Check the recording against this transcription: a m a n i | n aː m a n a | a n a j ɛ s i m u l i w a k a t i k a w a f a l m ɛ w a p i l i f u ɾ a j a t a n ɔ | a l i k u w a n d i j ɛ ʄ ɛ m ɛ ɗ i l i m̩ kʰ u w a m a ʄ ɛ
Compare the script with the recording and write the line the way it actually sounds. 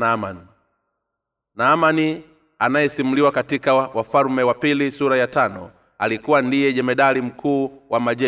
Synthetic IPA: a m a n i | n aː m a n i | a n a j ɛ s i m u l i w a k a t i k a w a f a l m ɛ w a p i l i s u ɾ a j a t a n ɔ | a l i k u w a n d i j ɛ ʄ ɛ m ɛ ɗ a l i m̩ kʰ uː w a m a ʄ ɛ